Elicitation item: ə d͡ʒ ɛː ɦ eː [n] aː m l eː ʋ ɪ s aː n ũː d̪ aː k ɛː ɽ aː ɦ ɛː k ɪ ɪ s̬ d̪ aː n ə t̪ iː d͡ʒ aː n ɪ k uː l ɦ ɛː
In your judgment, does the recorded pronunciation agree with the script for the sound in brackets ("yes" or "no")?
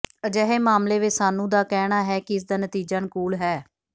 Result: no